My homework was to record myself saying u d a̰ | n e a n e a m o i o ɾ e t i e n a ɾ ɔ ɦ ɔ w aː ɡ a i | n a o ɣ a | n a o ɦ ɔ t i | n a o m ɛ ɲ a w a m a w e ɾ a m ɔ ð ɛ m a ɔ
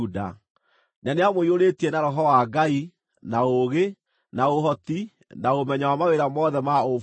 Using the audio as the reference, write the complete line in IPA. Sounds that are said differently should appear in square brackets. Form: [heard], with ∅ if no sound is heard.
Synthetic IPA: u d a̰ | n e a n e a m o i o ɾ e t i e n a ɾ ɔ ɦ ɔ w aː ɡ a i | n a o ɣ [e] | n a o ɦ ɔ t i | n a o m ɛ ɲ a w a m a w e ɾ a m ɔ ð ɛ m a [o]